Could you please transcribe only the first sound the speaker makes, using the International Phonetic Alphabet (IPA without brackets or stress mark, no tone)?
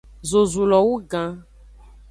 z